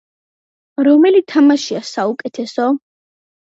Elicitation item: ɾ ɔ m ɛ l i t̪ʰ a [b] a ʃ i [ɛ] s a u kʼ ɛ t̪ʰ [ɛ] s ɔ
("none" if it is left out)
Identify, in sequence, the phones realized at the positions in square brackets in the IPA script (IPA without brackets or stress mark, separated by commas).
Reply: m, a, ɛ